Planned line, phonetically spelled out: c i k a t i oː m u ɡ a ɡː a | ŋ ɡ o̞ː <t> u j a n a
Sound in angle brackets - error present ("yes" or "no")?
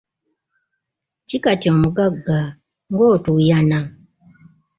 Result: no